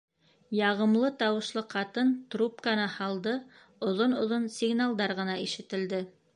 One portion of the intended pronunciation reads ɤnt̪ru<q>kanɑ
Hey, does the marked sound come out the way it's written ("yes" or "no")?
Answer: no